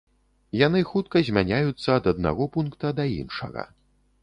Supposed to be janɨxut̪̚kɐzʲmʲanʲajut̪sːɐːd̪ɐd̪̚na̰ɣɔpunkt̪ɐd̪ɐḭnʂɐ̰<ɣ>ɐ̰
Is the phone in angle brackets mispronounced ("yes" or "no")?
no